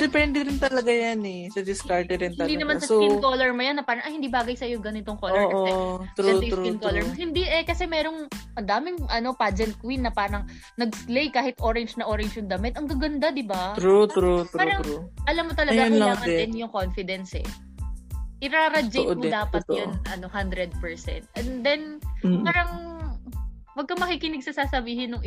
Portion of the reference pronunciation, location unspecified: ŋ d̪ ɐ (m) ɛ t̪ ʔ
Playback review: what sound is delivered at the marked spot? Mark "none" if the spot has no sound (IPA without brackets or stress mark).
m